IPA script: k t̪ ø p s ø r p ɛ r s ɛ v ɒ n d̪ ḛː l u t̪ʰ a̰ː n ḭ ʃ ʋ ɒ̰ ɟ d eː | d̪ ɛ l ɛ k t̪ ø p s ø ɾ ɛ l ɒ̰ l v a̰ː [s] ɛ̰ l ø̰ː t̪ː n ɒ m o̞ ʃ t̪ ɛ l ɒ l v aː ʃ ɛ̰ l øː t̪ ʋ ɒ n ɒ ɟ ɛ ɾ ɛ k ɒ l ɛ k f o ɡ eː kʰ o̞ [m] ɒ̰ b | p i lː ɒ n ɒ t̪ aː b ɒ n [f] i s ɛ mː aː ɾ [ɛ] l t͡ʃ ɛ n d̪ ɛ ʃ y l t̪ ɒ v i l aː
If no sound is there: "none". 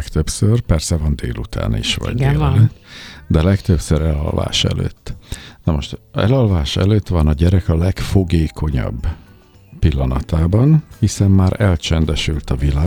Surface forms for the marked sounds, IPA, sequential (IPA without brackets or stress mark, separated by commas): ʃ, ɲ, h, ɛ